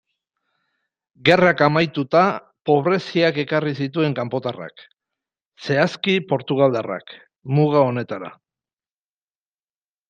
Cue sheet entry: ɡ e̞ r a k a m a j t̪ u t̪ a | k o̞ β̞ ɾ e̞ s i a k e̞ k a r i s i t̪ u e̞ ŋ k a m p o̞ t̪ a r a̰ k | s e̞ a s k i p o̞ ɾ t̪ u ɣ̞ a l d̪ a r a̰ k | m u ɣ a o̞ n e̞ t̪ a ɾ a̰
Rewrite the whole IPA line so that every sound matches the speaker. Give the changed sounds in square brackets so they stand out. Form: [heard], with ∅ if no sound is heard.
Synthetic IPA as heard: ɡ e̞ r a k a m a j t̪ u t̪ a | [p] o̞ β̞ ɾ e̞ s i a k e̞ k a r i s i t̪ u e̞ ŋ k a m p o̞ t̪ a r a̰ k | s e̞ a s k i p o̞ ɾ t̪ u ɣ̞ a l d̪ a r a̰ k | m u ɣ a o̞ n e̞ t̪ a ɾ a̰

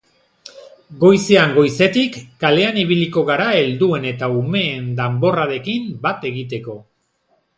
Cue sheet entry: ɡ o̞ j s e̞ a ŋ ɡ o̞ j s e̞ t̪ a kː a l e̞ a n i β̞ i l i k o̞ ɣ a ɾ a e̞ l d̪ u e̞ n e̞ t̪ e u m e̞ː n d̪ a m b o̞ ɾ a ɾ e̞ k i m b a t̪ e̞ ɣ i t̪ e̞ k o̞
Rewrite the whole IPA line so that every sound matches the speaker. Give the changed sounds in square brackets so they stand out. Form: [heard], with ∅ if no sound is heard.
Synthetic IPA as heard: ɡ o̞ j s e̞ a ŋ ɡ o̞ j s e̞ t̪ [i] kː a l e̞ a n i β̞ i l i k o̞ ɣ a ɾ a e̞ l d̪ u e̞ n e̞ t̪ [a] u m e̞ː n d̪ a m b o̞ [r] a ɾ e̞ k i m b a t̪ e̞ ɣ i t̪ e̞ k o̞

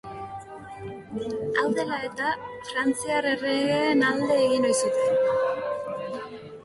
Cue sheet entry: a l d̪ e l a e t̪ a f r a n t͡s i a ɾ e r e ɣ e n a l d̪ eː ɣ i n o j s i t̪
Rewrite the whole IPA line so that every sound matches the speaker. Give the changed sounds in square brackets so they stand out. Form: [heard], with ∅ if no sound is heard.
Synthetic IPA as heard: a l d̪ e l a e t̪ a f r a n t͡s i a ɾ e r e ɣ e n a l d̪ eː ɣ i n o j s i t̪

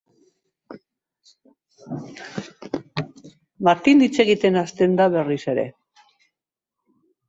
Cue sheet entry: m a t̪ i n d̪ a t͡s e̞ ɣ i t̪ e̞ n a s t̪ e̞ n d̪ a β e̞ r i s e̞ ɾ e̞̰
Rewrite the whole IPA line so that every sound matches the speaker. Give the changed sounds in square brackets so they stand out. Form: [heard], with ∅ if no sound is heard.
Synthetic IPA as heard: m a t̪ i n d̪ [i] t͡s e̞ ɣ i t̪ e̞ n a s t̪ e̞ n d̪ a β e̞ r i s e̞ ɾ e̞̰

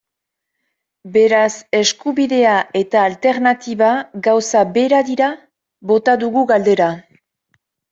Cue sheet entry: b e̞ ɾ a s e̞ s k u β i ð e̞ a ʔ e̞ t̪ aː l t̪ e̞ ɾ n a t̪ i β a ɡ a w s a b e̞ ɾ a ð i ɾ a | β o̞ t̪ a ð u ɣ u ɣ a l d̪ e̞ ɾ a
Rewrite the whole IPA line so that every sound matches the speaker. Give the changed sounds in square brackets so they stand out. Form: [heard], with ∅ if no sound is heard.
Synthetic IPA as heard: b e̞ ɾ a s e̞ s k u β i ð e̞ a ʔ e̞ t̪ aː l t̪ e̞ ɾ n a t̪ i β a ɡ a w s a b e̞ ɾ a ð i ɾ a | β o̞ t̪ a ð u ɣ u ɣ a l d̪ e̞ ɾ a

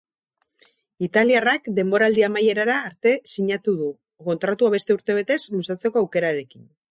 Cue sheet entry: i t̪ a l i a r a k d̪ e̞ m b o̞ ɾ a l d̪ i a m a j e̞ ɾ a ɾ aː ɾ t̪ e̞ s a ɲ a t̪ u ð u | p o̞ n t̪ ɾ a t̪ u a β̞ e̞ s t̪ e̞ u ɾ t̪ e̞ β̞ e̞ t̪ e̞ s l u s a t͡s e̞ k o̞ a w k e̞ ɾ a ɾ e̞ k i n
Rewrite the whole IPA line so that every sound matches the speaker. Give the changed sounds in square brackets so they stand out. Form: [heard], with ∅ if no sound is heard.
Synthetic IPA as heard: i t̪ a l i a r a k d̪ e̞ m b o̞ ɾ a l d̪ i a m a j e̞ ɾ a ɾ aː ɾ t̪ e̞ s [i] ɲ a t̪ u ð u | [k] o̞ n t̪ ɾ a t̪ u a β̞ e̞ s t̪ e̞ u ɾ t̪ e̞ β̞ e̞ t̪ e̞ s l u s a t͡s e̞ k o̞ a w k e̞ ɾ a ɾ e̞ k i n

